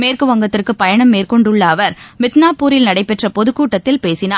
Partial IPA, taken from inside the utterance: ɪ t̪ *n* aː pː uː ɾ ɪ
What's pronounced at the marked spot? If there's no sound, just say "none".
n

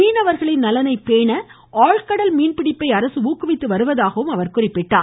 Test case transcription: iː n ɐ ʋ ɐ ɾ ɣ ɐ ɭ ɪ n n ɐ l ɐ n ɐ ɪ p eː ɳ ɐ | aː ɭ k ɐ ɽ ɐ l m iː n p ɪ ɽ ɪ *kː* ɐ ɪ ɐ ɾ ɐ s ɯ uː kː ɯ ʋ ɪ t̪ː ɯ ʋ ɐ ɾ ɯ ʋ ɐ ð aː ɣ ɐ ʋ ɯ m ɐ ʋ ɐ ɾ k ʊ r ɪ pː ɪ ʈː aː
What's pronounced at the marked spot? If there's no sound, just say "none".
pː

